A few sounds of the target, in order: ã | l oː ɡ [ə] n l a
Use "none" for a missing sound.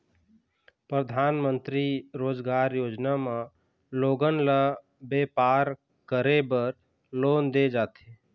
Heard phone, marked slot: ə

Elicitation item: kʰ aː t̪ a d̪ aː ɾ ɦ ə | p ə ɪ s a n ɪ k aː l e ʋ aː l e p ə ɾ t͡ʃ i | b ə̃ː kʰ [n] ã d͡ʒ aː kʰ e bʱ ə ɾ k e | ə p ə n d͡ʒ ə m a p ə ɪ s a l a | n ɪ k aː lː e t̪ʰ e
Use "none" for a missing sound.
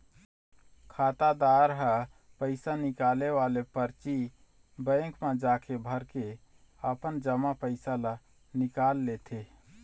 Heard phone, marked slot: m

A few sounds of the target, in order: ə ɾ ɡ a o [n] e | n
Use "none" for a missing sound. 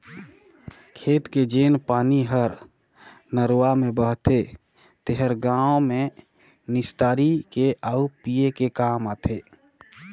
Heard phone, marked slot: m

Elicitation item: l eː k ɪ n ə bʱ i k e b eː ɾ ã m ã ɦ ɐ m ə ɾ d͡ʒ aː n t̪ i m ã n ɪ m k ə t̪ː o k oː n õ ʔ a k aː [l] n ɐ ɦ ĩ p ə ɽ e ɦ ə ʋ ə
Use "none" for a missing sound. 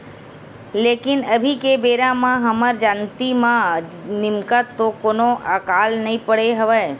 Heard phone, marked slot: l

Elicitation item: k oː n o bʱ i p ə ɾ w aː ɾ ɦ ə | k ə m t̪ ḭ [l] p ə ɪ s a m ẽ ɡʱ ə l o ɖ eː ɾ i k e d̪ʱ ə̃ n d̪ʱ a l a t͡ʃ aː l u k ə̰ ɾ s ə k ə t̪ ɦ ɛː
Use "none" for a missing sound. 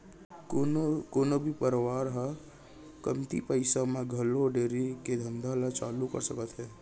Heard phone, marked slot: none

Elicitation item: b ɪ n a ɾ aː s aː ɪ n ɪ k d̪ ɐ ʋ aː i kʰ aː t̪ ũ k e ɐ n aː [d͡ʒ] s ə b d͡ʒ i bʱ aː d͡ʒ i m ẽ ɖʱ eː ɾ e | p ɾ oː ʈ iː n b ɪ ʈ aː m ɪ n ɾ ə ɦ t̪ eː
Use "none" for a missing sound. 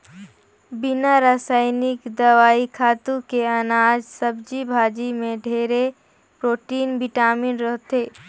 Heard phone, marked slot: d͡ʒ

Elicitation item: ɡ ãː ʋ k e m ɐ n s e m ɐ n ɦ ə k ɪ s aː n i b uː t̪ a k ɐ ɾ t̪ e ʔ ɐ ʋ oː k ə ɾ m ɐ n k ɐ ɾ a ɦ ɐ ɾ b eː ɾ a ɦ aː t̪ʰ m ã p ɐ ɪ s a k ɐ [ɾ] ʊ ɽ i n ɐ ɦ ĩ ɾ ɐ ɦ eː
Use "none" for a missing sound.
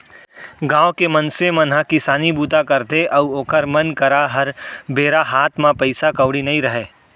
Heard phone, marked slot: none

